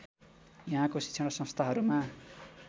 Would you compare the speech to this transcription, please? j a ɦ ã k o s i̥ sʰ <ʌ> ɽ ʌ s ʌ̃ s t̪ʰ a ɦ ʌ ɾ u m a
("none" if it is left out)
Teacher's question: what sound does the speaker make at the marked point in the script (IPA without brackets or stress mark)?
ʌ